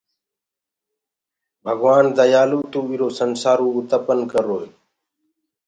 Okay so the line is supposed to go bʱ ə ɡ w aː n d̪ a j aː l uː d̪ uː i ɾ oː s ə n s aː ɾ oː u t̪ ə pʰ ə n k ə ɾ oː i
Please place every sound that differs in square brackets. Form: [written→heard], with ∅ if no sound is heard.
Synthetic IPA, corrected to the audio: bʱ ə ɡ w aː n d̪ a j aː l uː [d̪→t̪] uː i ɾ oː s ə n s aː ɾ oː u t̪ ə [pʰ→p] ə n k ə ɾ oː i